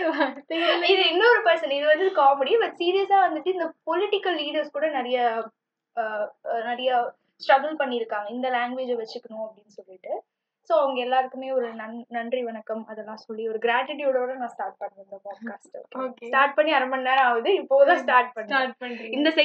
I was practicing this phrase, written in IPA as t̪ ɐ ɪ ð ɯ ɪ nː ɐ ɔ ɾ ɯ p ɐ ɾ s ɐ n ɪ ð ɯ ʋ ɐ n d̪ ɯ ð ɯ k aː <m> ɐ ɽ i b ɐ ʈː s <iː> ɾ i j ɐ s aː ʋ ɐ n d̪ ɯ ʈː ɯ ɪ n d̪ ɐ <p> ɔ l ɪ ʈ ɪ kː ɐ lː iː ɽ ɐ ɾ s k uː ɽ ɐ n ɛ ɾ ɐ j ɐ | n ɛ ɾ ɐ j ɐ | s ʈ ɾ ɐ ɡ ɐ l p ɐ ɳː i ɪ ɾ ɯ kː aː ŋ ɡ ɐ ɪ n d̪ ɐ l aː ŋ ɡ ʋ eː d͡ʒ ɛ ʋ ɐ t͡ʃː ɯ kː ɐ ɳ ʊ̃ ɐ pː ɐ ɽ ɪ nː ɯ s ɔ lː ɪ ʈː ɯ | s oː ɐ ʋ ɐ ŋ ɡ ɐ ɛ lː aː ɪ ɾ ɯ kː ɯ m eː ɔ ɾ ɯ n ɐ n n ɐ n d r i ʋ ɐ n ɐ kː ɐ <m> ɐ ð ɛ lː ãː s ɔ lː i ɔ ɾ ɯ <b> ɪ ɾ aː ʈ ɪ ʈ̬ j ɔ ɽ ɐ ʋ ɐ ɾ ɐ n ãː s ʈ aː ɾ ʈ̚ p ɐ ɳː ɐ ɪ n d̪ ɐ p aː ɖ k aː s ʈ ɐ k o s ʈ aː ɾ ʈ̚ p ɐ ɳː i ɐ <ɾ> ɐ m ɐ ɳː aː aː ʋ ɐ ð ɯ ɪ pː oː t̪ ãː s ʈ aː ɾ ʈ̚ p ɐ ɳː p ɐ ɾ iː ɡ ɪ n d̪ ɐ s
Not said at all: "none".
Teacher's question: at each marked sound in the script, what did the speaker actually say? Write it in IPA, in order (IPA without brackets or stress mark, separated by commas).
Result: m, iː, p, m, ɡ, ɾ